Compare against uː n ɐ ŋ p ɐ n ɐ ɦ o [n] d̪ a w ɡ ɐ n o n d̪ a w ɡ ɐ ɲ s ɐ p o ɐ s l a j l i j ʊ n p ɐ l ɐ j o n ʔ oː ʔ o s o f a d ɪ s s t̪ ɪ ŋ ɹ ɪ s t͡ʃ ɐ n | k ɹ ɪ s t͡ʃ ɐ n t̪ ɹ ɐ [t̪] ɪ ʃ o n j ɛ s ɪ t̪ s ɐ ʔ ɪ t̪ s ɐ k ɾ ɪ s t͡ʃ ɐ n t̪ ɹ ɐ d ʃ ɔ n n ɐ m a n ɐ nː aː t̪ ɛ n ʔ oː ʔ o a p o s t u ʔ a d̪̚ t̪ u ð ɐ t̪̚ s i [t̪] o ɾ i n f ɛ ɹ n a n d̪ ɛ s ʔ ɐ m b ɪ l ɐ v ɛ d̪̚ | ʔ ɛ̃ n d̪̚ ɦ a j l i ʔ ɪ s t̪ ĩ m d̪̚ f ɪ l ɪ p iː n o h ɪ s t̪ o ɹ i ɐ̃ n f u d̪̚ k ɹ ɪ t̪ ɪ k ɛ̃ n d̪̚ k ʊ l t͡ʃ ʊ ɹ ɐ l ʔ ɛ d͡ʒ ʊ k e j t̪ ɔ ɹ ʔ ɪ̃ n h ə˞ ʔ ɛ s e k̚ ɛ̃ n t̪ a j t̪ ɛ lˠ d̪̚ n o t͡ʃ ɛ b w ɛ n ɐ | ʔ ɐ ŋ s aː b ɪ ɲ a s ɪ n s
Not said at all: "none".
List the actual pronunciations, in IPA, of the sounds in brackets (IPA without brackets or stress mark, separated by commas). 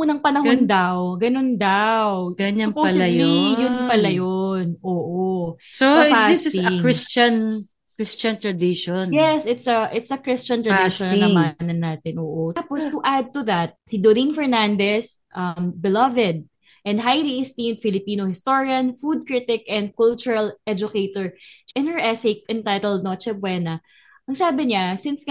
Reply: n, d̪, d̪